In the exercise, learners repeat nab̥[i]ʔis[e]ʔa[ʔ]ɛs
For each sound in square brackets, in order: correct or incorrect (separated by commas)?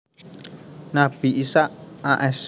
correct, incorrect, correct